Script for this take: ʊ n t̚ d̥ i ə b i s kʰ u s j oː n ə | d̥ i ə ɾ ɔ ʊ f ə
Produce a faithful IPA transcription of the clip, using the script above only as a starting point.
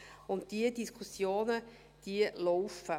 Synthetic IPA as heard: ʊ n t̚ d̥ i ə d i s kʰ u s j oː n ə | d̥ i ə l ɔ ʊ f ə

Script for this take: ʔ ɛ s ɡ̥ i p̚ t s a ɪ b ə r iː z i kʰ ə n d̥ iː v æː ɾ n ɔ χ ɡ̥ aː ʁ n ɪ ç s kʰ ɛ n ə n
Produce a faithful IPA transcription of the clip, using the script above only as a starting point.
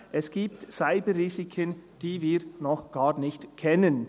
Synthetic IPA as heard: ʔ ɛ s ɡ̥ iː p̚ t s a ɪ b ə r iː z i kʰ ə n d̥ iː v iː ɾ n ɔ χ ɡ̥ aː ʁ n ɪ ç t kʰ ɛ n ə n

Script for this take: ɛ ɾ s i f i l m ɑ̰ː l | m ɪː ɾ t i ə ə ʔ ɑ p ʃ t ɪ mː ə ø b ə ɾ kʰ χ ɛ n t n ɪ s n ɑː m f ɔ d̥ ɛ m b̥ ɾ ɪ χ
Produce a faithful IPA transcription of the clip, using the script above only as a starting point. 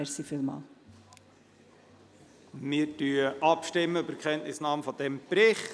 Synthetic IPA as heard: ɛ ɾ s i f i l m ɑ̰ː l | m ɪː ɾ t y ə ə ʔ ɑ p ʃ t ɪ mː ə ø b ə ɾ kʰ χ ɛ n t n ɪ s n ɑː m f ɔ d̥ ɛ m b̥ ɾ ɪ χ

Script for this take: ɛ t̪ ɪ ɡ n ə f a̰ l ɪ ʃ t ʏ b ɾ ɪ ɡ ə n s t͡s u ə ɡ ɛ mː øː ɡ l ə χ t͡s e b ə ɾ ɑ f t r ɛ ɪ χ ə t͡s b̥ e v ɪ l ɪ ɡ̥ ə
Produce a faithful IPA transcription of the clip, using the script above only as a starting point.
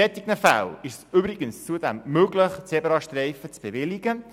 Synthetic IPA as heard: ɛ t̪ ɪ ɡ n ə f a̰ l ɪ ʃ s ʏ b ɾ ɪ ɡ ə n s t͡s u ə d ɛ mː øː ɡ l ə χ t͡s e b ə ɾ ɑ ʃ t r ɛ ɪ f ə t͡s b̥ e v ɪ l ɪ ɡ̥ ə

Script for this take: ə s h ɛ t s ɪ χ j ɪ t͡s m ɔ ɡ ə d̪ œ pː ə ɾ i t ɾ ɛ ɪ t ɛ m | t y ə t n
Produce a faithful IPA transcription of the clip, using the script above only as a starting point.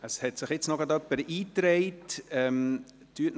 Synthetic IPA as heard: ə s h ɛ t s ɪ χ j ɪ t͡s n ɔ ɡ ɑ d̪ œ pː ə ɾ iː t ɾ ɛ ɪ t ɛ m | t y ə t n

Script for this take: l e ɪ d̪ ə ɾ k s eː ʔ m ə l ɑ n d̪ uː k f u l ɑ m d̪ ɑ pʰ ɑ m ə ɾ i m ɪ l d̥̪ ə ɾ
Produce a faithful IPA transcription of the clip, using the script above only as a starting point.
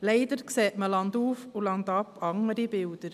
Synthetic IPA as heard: l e ɪ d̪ ə ɾ k s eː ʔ m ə l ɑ n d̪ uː f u l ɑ n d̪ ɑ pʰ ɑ ŋ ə ɾ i b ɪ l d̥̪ ə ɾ

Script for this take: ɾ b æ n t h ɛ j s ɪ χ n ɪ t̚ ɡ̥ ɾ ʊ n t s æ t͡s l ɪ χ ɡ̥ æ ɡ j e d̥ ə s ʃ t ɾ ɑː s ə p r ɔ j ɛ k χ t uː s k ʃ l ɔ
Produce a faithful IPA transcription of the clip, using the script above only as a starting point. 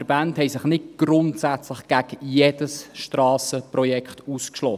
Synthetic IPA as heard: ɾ b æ n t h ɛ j s ɪ χ n ɪ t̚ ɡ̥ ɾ ʊ n t s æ t͡s l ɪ χ ɡ̥ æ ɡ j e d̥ ə s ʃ t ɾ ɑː s ə p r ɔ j ɛ k χ t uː s k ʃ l ɔ

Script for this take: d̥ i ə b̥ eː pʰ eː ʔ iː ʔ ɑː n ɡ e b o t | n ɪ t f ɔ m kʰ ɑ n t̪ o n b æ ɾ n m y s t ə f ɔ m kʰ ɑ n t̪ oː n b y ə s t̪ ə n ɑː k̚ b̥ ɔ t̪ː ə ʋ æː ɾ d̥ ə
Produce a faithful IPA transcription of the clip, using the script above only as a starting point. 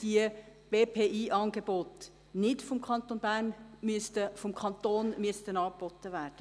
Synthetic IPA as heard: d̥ i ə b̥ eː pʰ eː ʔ iː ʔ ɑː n ɡ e b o t | n ɪ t f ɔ m kʰ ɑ n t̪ o n b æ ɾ n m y s t ə f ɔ m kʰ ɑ n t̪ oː n m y ə s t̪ ə n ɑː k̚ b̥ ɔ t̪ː ə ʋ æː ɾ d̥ ə

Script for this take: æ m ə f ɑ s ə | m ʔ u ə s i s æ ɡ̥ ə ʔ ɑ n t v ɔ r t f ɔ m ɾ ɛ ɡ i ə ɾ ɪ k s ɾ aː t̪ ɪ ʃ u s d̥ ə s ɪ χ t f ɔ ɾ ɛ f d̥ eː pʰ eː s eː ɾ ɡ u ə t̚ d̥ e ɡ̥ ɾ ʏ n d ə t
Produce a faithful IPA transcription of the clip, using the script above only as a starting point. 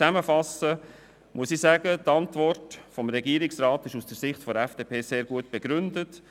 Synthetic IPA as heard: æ m ə f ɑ s ə | m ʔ u ə s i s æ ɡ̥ ə t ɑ n t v ɔ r t f ɔ m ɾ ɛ ɡ i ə ɾ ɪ k s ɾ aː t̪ ɪ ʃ u s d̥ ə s ɪ χ t f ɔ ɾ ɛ f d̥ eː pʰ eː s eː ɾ ɡ u ə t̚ b̥ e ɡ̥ ɾ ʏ n d ə t

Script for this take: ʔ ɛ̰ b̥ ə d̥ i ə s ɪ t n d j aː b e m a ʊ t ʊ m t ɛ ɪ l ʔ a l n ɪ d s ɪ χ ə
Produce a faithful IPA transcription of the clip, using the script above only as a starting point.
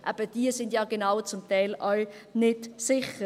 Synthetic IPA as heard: ʔ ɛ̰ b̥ ə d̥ i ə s ɪ n d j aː ɡ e n a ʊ t͡s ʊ m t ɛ ɪ l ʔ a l n ɪ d s ɪ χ ə

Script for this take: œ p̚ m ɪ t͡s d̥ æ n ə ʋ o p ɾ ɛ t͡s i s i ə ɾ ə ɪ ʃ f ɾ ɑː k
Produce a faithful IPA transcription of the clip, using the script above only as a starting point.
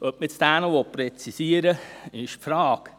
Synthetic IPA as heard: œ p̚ m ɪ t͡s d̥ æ n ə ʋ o p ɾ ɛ t͡s i s i ə ɾ ə ɪ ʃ f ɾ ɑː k

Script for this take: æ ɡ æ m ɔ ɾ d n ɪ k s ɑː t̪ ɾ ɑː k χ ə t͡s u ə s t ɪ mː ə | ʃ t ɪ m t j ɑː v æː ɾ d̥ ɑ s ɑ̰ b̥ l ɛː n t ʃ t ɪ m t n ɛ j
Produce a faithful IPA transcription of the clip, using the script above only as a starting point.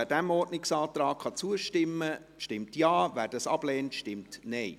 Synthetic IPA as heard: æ d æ m ɔ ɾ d n ɪ k s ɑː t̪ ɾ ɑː k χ ɑ t͡s u ə ʃ t ɪ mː ə | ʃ t ɪ m t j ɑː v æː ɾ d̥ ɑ s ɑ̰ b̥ l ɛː n t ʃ t ɪ m t n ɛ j

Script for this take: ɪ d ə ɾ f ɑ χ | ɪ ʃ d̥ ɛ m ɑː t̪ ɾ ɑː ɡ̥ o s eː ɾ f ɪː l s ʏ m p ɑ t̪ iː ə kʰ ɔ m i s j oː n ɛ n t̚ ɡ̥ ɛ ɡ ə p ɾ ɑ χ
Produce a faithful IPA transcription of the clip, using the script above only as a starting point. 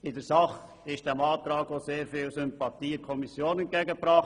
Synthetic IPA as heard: ɪ d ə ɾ s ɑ χ | ɪ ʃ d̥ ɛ m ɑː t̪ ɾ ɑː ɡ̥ o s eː ɾ f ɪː l s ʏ m p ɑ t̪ iː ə kʰ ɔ m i s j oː n ɛ n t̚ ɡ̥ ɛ ɡ ə p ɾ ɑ χ

